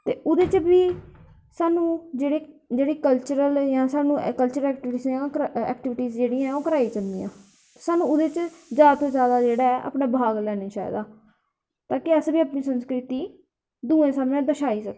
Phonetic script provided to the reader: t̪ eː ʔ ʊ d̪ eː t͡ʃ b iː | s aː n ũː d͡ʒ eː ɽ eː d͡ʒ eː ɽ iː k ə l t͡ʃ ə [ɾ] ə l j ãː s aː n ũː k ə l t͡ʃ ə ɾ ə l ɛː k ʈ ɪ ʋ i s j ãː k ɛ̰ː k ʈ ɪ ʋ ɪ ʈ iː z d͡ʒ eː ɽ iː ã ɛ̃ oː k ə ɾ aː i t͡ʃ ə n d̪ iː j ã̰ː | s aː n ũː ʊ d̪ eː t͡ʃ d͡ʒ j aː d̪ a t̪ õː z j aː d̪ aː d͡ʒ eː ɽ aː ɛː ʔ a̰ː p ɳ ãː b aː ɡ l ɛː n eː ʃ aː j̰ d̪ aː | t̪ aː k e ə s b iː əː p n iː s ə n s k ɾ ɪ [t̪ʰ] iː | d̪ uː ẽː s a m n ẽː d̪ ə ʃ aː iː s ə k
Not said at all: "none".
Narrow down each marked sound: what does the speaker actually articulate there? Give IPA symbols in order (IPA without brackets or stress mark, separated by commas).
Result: ɾ, t̪